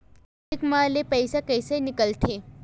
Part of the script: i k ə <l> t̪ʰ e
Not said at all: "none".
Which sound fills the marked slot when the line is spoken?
l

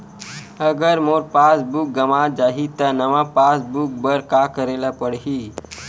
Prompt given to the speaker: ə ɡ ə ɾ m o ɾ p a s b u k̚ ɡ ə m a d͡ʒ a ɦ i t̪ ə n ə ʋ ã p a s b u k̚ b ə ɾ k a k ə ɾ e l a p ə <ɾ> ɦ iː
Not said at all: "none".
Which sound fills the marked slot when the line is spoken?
ɽ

